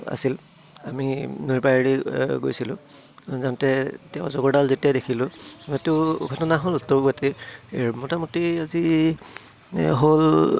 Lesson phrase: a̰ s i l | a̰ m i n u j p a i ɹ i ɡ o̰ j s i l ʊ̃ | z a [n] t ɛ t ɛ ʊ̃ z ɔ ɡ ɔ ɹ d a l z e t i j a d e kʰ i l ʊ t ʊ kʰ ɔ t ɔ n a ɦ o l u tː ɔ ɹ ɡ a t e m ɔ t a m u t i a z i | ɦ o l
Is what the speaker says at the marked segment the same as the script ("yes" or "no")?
yes